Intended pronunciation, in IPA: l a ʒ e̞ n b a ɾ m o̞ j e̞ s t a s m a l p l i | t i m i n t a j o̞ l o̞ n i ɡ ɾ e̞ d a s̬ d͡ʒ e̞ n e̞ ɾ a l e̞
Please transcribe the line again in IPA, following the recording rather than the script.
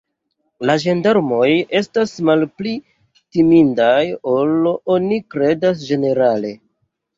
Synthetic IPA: l a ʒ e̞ n d a ɾ m o̞ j e̞ s t a s m a l p l i | t i m i n d a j o̞ l o̞ n i k ɾ e̞ d a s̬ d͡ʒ e̞ n e̞ ɾ a l e̞